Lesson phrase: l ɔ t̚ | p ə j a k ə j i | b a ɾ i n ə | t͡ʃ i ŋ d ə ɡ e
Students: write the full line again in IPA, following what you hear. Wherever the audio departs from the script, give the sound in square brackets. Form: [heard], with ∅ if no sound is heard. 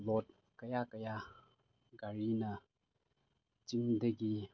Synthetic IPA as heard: l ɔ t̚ | [k] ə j a k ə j [a] | [ɡ] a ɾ i n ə | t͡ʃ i ŋ d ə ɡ [i]